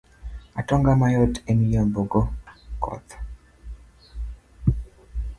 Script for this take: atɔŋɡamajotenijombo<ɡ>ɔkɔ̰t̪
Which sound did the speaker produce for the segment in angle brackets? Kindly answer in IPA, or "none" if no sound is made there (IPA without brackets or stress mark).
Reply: ɡ